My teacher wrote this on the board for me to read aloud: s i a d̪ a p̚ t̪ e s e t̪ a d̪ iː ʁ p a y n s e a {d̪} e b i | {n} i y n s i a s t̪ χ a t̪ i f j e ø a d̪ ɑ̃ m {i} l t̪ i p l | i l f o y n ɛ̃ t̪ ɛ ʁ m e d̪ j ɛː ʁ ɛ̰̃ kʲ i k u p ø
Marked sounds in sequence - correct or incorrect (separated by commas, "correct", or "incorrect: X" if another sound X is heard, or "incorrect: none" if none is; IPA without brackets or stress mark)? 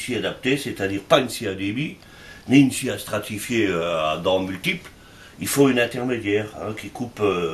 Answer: correct, correct, incorrect: y